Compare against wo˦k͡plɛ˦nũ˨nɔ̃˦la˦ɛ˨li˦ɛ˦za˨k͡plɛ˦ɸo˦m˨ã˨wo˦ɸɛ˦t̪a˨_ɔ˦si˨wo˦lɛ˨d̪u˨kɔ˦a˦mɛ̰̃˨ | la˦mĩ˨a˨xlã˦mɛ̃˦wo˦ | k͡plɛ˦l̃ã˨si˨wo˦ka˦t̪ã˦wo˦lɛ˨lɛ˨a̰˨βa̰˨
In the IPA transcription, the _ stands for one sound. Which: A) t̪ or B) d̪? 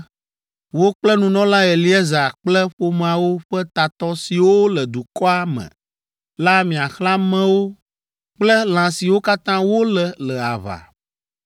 A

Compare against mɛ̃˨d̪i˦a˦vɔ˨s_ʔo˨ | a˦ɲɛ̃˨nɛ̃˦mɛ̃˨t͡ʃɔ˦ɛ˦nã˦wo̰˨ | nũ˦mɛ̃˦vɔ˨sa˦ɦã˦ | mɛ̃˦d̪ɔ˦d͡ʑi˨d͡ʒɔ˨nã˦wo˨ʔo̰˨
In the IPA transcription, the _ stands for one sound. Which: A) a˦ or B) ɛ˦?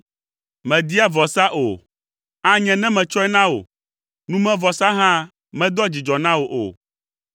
A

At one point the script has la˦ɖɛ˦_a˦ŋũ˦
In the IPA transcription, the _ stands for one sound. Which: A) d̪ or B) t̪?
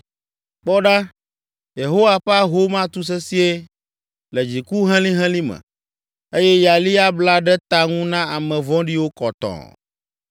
B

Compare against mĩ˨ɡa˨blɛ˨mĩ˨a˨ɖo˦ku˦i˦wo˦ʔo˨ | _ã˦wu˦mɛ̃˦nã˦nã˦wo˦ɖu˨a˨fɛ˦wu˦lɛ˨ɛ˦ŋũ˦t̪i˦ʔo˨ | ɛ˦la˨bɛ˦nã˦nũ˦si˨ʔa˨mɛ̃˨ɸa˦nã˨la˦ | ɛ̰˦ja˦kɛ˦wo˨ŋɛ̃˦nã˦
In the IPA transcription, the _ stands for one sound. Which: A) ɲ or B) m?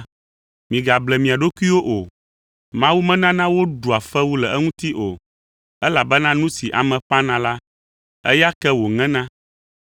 B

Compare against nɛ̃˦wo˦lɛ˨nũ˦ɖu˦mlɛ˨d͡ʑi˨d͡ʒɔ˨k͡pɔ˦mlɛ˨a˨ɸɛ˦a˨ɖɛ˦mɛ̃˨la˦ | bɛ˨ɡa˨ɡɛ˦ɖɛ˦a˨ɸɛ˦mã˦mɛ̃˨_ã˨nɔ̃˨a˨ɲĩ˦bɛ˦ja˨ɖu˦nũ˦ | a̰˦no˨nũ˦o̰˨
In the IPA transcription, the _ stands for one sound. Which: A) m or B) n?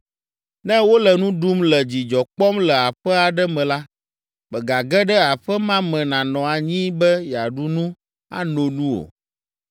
B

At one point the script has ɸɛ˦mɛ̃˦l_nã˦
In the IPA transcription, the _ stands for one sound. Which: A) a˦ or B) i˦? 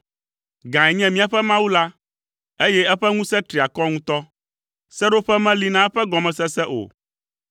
B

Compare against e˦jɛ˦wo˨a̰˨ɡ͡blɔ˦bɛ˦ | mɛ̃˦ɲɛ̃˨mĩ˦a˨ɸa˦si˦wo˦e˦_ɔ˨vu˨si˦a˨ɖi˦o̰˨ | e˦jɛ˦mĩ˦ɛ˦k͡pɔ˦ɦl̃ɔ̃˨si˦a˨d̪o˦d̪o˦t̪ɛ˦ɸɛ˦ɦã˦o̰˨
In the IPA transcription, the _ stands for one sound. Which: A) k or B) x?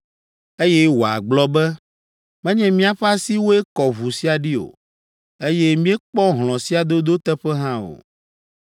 A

